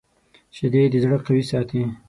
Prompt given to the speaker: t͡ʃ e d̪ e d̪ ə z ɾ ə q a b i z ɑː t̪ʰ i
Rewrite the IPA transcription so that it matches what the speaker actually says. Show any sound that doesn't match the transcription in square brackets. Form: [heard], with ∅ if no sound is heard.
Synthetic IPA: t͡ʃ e d̪ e d̪ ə z [ɽ] ə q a [w] i [s] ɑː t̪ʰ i

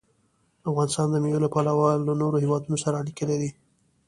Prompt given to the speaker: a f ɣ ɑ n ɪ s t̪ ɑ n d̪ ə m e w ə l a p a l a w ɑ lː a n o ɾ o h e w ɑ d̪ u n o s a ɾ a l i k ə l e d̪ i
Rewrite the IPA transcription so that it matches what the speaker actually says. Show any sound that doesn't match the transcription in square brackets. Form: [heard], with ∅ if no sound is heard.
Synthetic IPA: a f ɣ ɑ n ɪ s t̪ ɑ n d̪ ə m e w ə l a p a l a w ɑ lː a n o ɾ o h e w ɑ d̪ u n o s a ɾ a l i k ə l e d̪ i

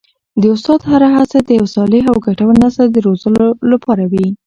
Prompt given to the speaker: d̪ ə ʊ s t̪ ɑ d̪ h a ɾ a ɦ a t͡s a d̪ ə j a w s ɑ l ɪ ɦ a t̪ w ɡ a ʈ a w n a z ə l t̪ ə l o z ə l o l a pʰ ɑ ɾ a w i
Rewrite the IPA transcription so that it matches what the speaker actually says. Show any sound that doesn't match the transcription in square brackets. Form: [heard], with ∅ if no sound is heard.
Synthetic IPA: d̪ ə ʊ s t̪ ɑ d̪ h a ɾ a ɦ a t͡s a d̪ ə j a w s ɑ l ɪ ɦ a [∅] w ɡ a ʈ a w n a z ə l [d̪] ə [ɾ] o z ə l o l a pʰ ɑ ɾ a w i

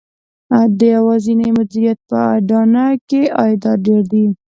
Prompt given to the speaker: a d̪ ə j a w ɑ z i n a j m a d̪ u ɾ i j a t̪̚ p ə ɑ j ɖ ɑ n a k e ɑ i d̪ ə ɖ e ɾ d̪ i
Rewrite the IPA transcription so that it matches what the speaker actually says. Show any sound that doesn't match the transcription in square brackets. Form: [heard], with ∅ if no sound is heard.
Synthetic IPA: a d̪ ə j a w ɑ z i n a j m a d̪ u ɾ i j a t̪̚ p ə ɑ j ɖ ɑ n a k e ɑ [j] d̪ [ɑ] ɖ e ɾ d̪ i

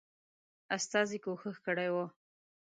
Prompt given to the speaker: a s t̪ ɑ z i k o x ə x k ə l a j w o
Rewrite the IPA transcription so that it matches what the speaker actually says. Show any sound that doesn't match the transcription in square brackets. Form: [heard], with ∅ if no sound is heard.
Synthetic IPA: a s t̪ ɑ z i k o x ə x k ə [ɽ] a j w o

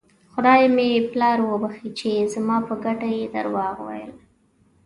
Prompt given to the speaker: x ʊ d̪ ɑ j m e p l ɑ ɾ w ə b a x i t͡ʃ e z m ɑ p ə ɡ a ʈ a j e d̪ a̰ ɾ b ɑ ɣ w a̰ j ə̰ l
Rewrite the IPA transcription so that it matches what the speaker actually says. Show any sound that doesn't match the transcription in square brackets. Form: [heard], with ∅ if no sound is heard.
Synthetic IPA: x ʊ d̪ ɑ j m e p l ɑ ɾ w ə b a x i t͡ʃ e z m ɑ p ə ɡ a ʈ a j e d̪ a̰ ɾ [w] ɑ ɣ w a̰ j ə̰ l

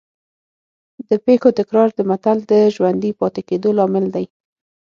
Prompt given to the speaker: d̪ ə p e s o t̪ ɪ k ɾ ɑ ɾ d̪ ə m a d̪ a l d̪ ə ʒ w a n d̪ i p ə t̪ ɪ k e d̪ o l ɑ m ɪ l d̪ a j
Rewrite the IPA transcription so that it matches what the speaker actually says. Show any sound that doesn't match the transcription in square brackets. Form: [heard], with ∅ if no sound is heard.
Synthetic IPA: d̪ ə p e [x] o t̪ ɪ k ɾ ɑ ɾ d̪ ə m a [t̪] a l d̪ ə ʒ w a n d̪ i p [ɑ] t̪ ɪ k e d̪ o l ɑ m ɪ l d̪ a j

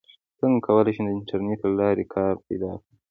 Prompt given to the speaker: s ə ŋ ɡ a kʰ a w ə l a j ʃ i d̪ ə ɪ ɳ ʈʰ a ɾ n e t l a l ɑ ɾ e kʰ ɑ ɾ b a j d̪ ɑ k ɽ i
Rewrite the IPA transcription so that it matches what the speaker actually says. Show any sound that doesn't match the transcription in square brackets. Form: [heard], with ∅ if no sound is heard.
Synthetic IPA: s ə ŋ ɡ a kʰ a w ə l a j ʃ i d̪ ə ɪ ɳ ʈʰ a ɾ n e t l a l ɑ ɾ e kʰ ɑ ɾ [p] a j d̪ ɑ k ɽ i

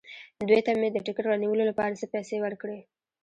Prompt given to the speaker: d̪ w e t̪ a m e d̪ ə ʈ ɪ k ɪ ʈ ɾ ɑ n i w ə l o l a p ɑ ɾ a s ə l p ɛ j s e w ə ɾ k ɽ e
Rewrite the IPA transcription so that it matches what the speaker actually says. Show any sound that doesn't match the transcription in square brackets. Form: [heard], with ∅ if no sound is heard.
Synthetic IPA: d̪ w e t̪ a m e d̪ ə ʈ ɪ k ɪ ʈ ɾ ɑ n i w ə l o l a p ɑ ɾ a s ə [∅] p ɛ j s e w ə ɾ k ɽ e

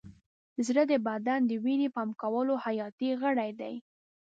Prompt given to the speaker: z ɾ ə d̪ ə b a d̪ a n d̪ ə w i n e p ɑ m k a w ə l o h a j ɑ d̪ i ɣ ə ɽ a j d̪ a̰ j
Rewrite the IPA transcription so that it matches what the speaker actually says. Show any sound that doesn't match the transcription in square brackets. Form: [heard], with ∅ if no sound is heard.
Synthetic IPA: z ɾ ə d̪ ə b a d̪ a n d̪ ə w i n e p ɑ m k a w ə l o h a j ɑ [t̪] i ɣ ə ɽ a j d̪ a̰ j

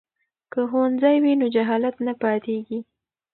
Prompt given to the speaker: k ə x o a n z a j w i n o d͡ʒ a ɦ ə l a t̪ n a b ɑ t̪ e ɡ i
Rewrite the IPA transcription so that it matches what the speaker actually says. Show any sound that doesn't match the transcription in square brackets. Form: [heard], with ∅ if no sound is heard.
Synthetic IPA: k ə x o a n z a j w i n o d͡ʒ a ɦ [ɑ] l a t̪ n a [p] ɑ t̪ e ɡ i

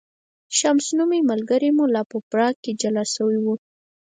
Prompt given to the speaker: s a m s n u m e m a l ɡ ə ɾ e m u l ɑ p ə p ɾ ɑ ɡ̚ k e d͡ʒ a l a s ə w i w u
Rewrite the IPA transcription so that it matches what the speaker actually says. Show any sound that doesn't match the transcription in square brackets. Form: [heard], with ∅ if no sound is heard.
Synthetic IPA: [ʃ] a m s n u m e m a l ɡ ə ɾ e m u l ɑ p ə p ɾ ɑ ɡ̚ k e d͡ʒ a l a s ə w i w u

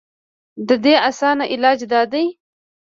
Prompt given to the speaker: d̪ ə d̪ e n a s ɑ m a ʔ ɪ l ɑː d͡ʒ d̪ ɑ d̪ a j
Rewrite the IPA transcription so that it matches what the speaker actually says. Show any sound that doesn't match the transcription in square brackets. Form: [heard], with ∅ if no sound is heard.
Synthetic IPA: d̪ ə d̪ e [∅] a s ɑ [n] a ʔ ɪ l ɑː d͡ʒ d̪ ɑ d̪ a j

